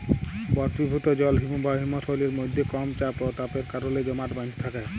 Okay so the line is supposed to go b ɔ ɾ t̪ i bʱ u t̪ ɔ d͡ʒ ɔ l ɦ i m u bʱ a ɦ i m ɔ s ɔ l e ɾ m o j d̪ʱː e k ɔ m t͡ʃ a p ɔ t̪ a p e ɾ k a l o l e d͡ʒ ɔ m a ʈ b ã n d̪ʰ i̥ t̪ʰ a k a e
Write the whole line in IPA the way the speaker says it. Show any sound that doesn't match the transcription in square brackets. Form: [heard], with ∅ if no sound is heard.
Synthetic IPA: b ɔ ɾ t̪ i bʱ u t̪ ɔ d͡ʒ ɔ l ɦ i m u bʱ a ɦ i m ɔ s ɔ l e ɾ m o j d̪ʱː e k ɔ m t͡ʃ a p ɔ t̪ a p e ɾ k a [ɾ] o l e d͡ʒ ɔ m a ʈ b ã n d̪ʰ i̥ t̪ʰ a k a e